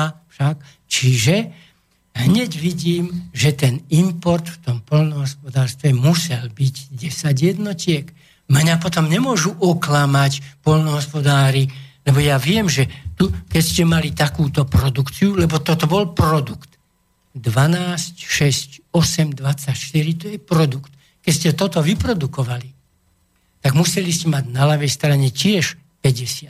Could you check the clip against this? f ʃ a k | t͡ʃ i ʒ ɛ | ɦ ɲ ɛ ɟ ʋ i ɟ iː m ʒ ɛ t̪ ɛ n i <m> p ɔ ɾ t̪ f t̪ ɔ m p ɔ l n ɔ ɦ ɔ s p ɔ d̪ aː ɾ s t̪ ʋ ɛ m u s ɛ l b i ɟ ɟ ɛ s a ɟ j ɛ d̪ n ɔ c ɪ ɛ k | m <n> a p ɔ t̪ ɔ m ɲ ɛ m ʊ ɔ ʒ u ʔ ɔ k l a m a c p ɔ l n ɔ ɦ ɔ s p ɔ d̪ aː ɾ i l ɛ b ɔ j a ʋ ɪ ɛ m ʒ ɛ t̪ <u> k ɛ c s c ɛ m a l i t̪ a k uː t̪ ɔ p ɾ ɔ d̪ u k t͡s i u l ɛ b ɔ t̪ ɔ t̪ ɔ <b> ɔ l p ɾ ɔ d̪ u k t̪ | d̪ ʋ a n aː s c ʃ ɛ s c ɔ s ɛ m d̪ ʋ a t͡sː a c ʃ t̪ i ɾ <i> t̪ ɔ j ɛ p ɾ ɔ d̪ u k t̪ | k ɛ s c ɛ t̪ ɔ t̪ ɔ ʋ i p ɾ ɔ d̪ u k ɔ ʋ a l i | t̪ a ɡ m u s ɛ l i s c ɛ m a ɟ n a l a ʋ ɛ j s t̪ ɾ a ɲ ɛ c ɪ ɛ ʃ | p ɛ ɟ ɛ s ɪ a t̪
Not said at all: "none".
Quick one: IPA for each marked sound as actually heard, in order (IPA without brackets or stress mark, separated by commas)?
m, ɲ, u, b, i